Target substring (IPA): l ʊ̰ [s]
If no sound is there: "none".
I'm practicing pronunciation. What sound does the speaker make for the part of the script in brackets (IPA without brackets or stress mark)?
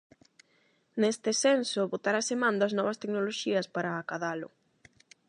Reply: none